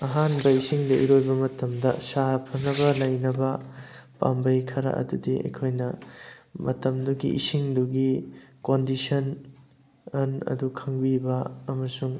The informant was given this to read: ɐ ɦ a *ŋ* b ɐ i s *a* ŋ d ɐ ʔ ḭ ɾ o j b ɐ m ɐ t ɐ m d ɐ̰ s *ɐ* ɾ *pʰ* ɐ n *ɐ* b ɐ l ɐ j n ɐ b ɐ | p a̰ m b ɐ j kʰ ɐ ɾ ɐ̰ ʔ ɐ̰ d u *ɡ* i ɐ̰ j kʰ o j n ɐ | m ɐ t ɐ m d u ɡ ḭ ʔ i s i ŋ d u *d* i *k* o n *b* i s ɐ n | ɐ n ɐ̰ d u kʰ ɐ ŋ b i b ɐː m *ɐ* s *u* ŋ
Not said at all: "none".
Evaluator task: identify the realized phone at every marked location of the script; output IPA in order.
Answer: n, i, a, pʰ, ɐ, d, ɡ, k, d, ɐ, u

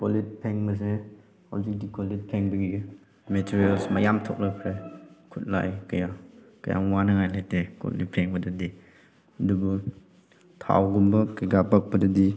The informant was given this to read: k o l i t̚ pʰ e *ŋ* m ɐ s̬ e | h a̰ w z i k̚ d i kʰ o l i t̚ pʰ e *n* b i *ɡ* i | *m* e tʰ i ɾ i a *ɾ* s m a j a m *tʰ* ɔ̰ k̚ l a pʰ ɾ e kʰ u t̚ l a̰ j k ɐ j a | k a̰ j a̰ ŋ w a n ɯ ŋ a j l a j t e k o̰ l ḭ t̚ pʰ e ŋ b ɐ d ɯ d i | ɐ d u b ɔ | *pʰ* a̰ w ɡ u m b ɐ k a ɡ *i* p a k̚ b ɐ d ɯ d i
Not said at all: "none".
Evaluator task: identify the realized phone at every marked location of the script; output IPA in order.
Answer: ŋ, ŋ, ɡ, m, l, tʰ, tʰ, a

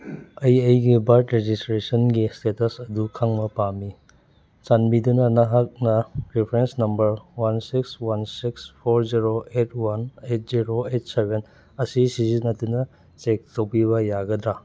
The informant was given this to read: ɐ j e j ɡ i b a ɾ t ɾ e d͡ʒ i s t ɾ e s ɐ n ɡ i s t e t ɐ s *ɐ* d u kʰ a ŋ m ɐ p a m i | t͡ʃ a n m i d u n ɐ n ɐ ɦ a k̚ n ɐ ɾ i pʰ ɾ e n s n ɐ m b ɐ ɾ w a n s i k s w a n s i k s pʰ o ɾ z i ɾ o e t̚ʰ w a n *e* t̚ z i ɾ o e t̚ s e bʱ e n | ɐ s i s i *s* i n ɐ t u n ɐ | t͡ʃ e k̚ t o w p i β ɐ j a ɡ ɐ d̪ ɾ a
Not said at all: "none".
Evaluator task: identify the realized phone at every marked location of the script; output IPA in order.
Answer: ɐ, e, z

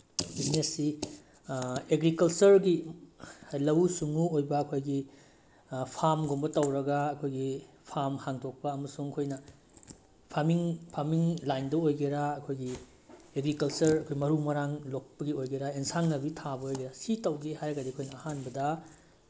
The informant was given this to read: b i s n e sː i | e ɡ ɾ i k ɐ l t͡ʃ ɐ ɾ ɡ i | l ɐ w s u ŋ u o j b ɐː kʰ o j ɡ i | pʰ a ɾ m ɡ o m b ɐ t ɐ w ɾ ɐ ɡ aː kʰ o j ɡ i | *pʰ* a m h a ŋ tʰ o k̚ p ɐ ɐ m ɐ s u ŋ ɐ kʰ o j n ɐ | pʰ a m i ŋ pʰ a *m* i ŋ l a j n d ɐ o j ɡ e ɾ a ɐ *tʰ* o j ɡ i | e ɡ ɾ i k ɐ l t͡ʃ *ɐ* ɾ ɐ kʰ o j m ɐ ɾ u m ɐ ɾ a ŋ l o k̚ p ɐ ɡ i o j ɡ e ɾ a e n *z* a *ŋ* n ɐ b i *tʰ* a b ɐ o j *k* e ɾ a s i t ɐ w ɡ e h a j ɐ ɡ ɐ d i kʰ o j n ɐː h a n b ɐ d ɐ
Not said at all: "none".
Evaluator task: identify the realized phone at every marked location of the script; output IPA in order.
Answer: pʰ, m, kʰ, ɐ, s, ŋ, tʰ, ɡ

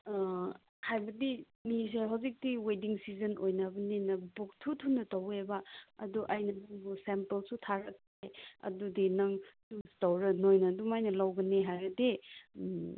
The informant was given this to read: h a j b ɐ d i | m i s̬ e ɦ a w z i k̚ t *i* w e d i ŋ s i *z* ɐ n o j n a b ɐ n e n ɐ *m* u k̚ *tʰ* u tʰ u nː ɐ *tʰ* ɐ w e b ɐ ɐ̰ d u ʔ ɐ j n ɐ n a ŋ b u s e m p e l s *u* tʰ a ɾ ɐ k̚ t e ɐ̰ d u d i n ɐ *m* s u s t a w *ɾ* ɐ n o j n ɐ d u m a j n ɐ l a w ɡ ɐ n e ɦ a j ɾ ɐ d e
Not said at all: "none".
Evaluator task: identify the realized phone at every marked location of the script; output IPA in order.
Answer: i, z, b, tʰ, t, u, ŋ, ɾ

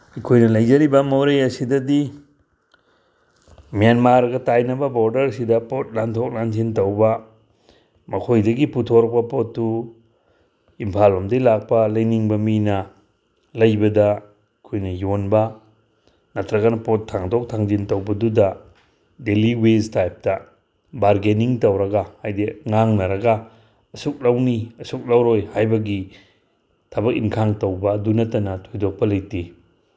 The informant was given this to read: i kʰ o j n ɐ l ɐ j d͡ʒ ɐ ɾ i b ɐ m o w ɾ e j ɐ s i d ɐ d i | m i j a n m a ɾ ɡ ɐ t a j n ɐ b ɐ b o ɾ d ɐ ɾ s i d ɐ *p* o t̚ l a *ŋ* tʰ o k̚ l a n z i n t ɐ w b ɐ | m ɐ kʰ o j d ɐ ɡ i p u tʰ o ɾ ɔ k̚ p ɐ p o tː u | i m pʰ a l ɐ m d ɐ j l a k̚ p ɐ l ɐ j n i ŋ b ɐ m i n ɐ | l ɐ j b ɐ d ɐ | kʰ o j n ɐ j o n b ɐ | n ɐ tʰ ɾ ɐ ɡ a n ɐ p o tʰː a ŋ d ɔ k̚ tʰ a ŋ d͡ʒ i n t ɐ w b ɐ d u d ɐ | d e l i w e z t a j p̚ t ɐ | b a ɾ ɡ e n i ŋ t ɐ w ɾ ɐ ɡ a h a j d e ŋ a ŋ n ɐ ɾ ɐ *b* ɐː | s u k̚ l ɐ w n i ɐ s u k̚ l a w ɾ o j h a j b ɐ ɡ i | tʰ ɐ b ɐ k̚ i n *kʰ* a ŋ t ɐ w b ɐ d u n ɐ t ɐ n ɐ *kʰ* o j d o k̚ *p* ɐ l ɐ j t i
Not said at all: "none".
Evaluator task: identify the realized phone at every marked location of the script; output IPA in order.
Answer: p, n, ɡ, kʰ, tʰ, p

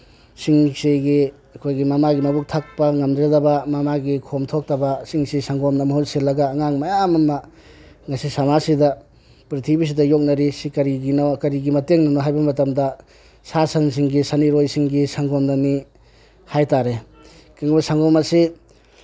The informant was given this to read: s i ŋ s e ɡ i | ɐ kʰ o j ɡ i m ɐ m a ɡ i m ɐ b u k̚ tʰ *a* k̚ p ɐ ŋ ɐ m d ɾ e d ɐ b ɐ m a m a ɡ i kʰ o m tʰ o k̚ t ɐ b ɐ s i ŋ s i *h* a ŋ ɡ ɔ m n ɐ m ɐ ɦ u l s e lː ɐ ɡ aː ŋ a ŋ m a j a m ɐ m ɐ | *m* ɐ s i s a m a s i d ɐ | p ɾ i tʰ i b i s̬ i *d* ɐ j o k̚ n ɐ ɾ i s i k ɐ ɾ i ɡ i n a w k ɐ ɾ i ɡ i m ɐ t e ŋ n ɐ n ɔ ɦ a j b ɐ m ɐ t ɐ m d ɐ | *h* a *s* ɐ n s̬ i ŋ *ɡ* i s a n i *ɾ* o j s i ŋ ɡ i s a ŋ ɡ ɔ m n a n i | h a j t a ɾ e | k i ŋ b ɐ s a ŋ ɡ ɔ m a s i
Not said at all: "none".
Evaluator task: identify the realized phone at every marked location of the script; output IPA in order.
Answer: a, s, ŋ, d, s, s, ɡ, ɾ

